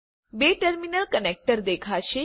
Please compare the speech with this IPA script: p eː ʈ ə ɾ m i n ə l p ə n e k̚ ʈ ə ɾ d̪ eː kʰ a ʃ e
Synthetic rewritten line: b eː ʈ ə ɾ m i n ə l k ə n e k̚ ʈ ə ɾ d̪ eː kʰ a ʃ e